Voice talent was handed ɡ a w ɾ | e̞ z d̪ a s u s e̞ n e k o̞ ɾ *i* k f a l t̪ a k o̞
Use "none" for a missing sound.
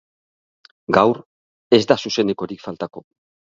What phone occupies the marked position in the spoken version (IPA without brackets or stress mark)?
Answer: i